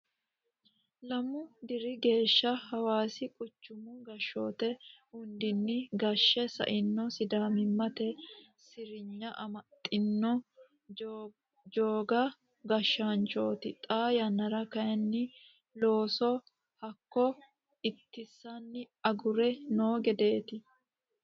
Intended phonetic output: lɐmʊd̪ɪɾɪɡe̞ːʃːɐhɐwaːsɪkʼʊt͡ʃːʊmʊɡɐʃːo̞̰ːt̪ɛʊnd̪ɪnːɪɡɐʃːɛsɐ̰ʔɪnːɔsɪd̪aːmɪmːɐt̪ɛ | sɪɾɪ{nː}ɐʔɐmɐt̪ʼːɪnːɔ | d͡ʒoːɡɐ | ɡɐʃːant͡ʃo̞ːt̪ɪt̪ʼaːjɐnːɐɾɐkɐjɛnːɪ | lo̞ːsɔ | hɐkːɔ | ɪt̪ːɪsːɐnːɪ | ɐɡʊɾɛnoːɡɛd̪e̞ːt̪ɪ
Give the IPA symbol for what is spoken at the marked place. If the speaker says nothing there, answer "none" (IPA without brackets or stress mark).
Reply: ɲː